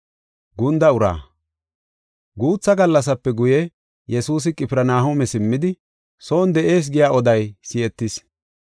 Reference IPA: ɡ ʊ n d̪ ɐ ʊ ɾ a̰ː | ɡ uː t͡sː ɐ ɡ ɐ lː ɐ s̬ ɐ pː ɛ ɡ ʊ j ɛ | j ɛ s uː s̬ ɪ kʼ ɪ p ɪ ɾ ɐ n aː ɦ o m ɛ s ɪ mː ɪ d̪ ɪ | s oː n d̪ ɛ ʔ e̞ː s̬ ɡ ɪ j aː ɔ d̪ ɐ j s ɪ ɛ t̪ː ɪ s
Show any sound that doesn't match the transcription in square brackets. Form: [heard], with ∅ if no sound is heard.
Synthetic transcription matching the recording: ɡ ʊ n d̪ ɐ ʊ ɾ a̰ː | ɡ uː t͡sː ɐ ɡ ɐ lː ɐ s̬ ɐ pː ɛ ɡ ʊ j ɛ | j ɛ s uː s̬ ɪ kʼ ɪ p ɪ ɾ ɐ n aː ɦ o m ɛ s ɪ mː ɪ d̪ ɪ | s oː n d̪ ɛ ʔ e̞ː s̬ ɡ ɪ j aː ɔ d̪ ɐ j s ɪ ɛ t̪ː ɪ s